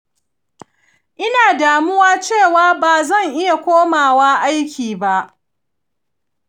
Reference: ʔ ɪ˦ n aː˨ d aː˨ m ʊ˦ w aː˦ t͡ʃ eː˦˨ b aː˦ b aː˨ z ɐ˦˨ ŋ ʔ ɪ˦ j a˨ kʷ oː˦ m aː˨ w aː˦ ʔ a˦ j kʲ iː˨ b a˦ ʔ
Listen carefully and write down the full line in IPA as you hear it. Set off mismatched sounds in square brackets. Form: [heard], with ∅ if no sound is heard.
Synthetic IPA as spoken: ʔ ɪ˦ n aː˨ d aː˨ m ʊ˦ w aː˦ t͡ʃ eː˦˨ [w] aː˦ b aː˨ z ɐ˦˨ ŋ ʔ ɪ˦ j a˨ kʷ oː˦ m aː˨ w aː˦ ʔ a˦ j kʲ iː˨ b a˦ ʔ